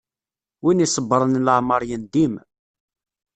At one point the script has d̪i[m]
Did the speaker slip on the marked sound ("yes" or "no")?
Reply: no